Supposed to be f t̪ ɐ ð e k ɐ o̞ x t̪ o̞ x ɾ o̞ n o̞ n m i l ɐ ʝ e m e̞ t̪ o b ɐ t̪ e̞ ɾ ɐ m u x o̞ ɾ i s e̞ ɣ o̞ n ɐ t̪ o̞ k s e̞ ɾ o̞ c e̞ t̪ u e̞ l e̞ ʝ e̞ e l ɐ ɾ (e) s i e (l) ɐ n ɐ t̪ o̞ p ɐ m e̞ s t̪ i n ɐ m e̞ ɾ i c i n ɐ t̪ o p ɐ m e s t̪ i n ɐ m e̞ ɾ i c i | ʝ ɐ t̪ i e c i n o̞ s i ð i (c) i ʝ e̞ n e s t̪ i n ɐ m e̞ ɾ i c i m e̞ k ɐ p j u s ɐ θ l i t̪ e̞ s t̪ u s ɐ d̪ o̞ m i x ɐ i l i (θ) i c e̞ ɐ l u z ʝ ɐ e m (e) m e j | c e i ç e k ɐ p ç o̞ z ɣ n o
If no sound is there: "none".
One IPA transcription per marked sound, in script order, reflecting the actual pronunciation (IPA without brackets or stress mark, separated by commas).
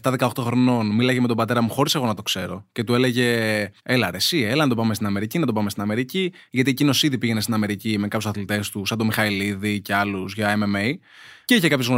e, l, p, ð, e